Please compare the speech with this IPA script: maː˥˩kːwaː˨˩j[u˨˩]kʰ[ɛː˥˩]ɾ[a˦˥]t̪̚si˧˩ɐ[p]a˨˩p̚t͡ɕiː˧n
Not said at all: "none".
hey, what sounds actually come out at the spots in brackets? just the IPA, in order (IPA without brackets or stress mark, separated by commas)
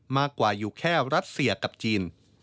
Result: uː˨˩, ɛː˥˩, a˦˥, k